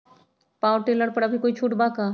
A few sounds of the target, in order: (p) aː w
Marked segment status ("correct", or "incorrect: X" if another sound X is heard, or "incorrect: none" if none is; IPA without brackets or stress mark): correct